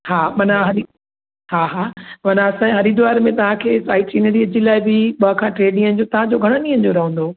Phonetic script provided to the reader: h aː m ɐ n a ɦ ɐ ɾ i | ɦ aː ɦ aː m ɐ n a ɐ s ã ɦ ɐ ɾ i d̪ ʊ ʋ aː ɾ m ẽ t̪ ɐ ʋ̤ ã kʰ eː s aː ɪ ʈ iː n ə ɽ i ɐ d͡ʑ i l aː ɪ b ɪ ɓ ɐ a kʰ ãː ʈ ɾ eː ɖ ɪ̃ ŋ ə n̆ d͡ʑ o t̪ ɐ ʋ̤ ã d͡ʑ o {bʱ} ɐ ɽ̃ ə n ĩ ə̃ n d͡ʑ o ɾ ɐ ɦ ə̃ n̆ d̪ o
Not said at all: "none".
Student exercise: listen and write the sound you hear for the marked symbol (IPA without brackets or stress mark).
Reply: ɡʱ